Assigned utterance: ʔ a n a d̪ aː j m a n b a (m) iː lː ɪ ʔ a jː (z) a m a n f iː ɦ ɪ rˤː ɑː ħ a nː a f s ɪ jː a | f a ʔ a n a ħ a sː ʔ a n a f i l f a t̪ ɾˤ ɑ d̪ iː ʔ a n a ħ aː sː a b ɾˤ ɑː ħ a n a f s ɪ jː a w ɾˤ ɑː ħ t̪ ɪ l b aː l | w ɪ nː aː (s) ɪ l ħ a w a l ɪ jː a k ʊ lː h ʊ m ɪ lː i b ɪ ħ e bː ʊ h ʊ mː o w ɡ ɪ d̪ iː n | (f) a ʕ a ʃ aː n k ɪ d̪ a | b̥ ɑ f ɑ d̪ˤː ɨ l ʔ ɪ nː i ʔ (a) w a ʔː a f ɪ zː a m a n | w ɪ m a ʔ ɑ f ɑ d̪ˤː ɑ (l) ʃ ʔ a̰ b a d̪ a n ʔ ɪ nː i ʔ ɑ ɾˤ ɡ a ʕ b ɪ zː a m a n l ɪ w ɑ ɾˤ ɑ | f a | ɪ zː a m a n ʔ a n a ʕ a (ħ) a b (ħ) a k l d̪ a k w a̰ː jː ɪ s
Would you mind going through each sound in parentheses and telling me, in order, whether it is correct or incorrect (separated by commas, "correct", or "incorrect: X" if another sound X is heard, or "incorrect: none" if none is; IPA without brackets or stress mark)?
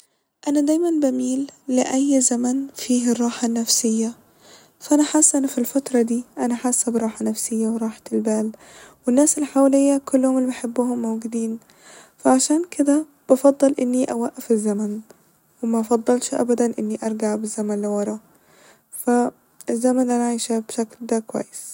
correct, correct, correct, correct, correct, correct, incorrect: ʃ, incorrect: ʃ